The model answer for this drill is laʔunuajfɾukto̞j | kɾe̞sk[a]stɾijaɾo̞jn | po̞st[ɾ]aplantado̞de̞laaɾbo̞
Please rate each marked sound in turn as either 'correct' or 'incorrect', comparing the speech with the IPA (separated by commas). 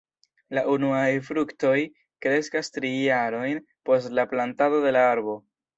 correct, incorrect